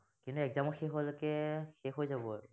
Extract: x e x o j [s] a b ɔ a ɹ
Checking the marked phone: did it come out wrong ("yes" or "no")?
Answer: yes